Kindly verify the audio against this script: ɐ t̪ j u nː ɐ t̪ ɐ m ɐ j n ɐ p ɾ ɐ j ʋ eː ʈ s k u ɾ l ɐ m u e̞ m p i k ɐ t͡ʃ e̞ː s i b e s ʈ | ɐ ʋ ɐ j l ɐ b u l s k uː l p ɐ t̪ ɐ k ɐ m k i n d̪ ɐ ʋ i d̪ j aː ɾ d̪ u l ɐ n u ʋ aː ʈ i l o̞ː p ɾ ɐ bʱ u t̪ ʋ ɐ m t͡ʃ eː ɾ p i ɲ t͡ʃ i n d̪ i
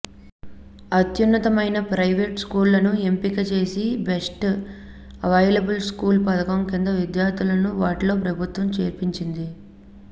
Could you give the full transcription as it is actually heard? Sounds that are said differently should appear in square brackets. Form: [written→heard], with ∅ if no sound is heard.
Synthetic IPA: ɐ t̪ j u nː ɐ t̪ ɐ m ɐ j n ɐ p ɾ ɐ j ʋ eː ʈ s k [u→uː] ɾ l ɐ [m→n] u e̞ m p i k ɐ t͡ʃ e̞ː s i b e s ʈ | ɐ ʋ ɐ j l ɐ b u l s k uː l p ɐ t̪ ɐ k ɐ m k i n d̪ ɐ ʋ i d̪ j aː ɾ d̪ u l ɐ n u ʋ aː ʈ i l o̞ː p ɾ ɐ bʱ u t̪ ʋ ɐ m t͡ʃ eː ɾ p i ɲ t͡ʃ i n d̪ i

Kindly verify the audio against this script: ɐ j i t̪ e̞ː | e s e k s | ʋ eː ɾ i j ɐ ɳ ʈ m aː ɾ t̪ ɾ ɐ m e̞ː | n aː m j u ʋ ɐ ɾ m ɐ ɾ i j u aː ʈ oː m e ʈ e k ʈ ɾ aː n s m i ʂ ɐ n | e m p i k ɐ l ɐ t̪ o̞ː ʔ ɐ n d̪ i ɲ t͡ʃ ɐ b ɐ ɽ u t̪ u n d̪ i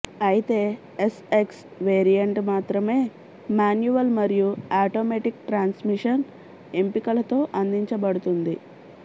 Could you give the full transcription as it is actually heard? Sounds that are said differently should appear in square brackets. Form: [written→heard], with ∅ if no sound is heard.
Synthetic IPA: ɐ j i t̪ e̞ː | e s e k s | ʋ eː ɾ i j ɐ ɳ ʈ m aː [ɾ→∅] t̪ ɾ ɐ m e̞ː | [n→m] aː [m→n] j u ʋ ɐ [ɾ→l] m ɐ ɾ i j u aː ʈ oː m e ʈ [e→i] k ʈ ɾ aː n s m i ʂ ɐ n | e m p i k ɐ l ɐ t̪ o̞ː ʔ ɐ n d̪ i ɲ t͡ʃ ɐ b ɐ ɽ u t̪ u n d̪ i

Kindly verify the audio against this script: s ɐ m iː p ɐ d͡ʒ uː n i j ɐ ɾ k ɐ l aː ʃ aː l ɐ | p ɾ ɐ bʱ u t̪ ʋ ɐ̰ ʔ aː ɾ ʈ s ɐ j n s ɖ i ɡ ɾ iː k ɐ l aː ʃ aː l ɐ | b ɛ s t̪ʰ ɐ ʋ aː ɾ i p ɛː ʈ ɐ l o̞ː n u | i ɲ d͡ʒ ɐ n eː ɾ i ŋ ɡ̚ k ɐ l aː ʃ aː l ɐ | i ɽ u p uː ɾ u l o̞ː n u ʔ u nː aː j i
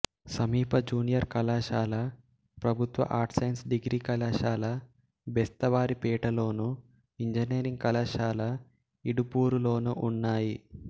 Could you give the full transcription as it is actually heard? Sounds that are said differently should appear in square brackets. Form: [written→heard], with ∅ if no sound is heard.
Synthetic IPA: s ɐ m iː p ɐ d͡ʒ uː n i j ɐ ɾ k ɐ l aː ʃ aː l ɐ | p ɾ ɐ bʱ u t̪ ʋ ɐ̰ ʔ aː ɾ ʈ s ɐ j n s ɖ i ɡ ɾ iː k ɐ l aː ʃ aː l ɐ | b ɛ s [t̪ʰ→t̪] ɐ ʋ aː ɾ i p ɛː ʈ ɐ l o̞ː n u | i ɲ d͡ʒ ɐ n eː ɾ i ŋ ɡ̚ k ɐ l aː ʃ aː l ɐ | i ɽ u p uː ɾ u l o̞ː n u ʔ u nː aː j i

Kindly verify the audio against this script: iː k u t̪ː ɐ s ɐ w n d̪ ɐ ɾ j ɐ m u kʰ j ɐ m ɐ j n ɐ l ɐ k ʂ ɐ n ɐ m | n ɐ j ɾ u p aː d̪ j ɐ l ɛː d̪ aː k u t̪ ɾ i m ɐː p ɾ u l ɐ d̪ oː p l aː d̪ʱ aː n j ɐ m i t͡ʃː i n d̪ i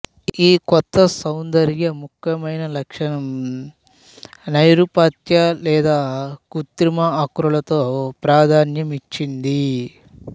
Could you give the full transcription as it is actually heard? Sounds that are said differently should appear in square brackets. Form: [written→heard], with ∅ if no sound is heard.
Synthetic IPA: iː k [u→ɔ] t̪ː ɐ s ɐ w n d̪ ɐ ɾ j ɐ m u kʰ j ɐ m ɐ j n ɐ l ɐ k ʂ ɐ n ɐ m | n ɐ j ɾ u p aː [d̪→t̪] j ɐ l ɛː d̪ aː k u t̪ ɾ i m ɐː [p→k] ɾ u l ɐ [d̪→t̪] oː p [l→ɾ] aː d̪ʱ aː n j ɐ m i t͡ʃː i n d̪ i

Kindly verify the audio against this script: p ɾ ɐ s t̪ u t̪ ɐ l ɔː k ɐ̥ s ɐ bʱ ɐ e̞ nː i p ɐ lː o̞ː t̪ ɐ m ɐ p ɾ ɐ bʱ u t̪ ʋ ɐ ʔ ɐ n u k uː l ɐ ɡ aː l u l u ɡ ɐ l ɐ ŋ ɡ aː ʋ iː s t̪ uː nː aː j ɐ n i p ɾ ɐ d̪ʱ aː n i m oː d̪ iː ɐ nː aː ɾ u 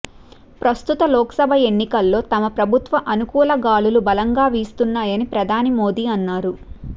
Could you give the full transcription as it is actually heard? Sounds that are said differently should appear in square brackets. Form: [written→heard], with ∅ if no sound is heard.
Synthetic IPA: p ɾ ɐ s t̪ u t̪ ɐ l ɔː k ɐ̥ s ɐ bʱ ɐ e̞ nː i [p→k] ɐ lː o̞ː t̪ ɐ m ɐ p ɾ ɐ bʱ u t̪ ʋ ɐ ʔ ɐ n u k uː l ɐ ɡ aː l u l u [ɡ→b] ɐ l ɐ ŋ ɡ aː ʋ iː s t̪ [uː→u] nː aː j ɐ n i p ɾ ɐ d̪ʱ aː n i m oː d̪ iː ɐ nː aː ɾ u

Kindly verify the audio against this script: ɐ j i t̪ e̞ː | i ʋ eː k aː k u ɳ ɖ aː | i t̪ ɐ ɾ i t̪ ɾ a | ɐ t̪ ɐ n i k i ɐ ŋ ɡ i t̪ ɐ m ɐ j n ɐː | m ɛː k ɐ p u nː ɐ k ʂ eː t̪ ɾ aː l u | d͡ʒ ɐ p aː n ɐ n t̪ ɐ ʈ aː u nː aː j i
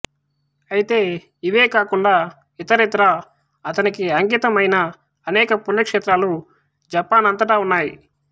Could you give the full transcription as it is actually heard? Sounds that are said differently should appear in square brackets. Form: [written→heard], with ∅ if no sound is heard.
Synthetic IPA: ɐ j i t̪ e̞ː | i ʋ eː k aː k u ɳ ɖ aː | i t̪ ɐ ɾ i t̪ ɾ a | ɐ t̪ ɐ n i k i ɐ ŋ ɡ i t̪ ɐ m ɐ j n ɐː | [m→n] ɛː k ɐ p u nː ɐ k ʂ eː t̪ ɾ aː l u | d͡ʒ ɐ p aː n ɐ n t̪ ɐ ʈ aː u nː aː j i

